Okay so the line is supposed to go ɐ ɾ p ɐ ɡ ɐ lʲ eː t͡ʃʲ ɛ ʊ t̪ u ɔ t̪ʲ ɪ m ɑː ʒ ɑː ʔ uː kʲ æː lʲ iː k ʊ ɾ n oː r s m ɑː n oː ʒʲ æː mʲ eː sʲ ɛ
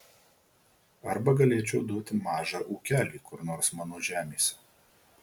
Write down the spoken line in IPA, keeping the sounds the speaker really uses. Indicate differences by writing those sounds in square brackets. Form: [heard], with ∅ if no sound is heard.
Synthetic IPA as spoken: ɐ ɾ [b] ɐ ɡ ɐ lʲ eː t͡ʃʲ ɛ ʊ [d̪] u ɔ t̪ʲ ɪ m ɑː ʒ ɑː ʔ uː kʲ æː lʲ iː k ʊ ɾ n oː [ɾ] s m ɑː n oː ʒʲ æː mʲ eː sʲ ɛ